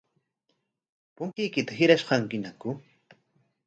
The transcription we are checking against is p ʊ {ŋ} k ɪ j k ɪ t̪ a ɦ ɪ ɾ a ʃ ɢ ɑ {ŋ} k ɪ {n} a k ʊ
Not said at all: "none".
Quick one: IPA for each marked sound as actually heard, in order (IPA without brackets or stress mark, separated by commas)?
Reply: ŋ, ŋ, n